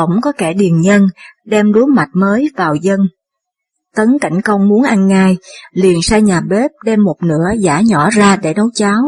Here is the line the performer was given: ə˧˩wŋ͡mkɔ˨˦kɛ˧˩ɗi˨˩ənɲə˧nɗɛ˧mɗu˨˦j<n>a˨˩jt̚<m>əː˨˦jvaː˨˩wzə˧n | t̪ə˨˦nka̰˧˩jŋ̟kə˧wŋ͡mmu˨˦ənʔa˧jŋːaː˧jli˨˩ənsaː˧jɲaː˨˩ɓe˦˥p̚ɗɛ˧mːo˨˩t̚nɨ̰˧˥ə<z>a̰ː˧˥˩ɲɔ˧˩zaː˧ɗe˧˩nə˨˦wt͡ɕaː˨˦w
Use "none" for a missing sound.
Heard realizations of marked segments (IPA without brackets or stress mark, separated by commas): m, m, z